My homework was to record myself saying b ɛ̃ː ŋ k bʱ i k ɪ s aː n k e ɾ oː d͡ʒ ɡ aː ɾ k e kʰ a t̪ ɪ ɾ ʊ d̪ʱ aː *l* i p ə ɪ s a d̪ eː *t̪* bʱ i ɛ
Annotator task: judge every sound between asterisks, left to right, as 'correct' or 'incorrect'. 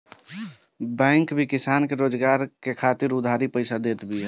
incorrect: ɾ, correct

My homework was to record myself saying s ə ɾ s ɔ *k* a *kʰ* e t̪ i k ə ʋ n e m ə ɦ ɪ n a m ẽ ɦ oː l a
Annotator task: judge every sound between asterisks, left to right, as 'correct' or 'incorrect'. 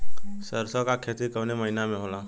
correct, correct

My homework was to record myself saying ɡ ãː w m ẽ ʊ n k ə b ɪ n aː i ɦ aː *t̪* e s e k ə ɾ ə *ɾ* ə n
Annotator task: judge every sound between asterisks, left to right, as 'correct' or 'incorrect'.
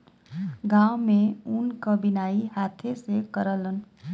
incorrect: t̪ʰ, incorrect: l

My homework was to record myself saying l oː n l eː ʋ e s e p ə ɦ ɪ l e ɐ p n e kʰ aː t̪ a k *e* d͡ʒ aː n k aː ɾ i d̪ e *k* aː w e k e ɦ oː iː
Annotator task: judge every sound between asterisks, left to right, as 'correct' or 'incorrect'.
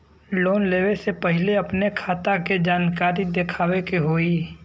correct, incorrect: kʰ

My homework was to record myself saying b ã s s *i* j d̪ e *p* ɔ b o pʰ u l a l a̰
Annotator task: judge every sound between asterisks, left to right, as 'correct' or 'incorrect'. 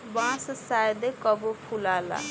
incorrect: a, incorrect: k

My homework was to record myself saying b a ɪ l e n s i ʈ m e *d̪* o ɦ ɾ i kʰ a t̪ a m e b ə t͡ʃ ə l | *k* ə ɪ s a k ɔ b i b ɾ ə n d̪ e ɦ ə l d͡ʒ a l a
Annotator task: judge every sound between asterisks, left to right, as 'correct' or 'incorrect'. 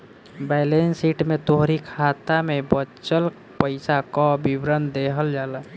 incorrect: t̪, incorrect: p

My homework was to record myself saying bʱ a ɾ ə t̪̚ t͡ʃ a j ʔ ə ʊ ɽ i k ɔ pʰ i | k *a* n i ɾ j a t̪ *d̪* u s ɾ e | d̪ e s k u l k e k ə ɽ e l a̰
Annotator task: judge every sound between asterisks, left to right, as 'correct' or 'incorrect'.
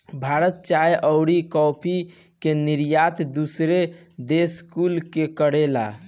incorrect: e, correct

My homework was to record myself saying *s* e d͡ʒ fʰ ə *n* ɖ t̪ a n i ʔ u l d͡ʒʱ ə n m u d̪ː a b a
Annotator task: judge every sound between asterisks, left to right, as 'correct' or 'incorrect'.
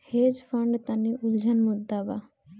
incorrect: h, incorrect: ɳ

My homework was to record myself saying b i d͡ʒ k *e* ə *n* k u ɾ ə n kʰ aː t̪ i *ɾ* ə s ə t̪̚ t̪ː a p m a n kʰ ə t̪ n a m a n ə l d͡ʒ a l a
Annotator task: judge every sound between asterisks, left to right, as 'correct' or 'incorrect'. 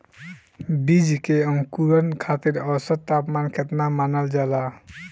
correct, incorrect: ŋ, correct

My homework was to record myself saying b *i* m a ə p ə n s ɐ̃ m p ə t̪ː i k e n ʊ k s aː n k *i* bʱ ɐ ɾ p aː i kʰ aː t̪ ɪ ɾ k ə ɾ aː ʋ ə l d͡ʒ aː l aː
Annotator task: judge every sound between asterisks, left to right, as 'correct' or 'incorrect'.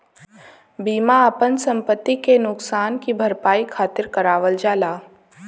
incorrect: iː, correct

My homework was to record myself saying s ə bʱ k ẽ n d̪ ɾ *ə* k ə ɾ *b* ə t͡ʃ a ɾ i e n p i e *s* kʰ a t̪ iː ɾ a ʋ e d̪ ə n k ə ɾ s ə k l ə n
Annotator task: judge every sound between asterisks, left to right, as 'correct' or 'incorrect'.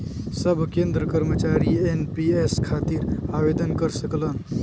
correct, incorrect: m, correct

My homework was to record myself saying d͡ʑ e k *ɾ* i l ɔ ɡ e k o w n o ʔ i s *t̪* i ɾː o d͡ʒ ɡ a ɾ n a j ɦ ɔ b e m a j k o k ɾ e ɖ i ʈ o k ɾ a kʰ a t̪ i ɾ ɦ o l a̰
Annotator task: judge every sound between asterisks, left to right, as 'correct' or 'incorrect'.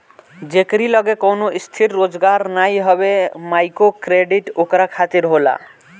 correct, incorrect: t̪ʰ

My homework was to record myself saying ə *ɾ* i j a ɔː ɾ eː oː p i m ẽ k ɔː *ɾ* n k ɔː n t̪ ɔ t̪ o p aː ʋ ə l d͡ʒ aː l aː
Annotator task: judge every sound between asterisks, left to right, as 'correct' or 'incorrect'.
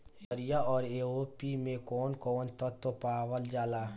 correct, incorrect: none

